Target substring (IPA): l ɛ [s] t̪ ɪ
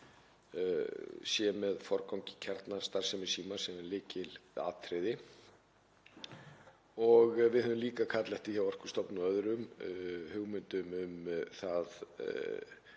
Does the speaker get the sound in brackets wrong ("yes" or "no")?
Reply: yes